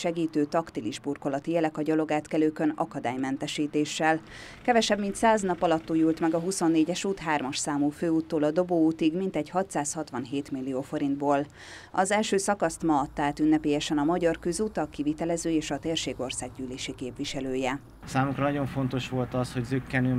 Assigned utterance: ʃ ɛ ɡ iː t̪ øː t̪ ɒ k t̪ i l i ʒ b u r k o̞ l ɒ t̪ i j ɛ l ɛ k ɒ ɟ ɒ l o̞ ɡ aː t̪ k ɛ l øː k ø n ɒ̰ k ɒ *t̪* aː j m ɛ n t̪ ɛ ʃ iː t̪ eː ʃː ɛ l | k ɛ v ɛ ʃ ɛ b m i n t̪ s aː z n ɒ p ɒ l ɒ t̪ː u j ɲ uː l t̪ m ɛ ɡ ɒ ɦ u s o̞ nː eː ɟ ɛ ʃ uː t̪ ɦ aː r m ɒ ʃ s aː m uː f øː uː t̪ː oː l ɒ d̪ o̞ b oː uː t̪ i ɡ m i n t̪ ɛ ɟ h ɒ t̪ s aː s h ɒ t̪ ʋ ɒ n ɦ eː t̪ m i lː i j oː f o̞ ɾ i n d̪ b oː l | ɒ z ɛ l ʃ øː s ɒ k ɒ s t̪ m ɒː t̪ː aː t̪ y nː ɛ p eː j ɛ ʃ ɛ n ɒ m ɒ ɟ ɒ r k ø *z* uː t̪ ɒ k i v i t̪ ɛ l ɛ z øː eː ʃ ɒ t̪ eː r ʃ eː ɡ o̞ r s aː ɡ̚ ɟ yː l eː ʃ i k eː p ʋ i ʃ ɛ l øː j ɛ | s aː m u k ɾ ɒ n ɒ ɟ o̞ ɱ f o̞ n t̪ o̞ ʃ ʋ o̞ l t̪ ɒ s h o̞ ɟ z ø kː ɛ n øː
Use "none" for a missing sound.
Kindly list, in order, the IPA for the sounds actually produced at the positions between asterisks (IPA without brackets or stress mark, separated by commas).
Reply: d̪, z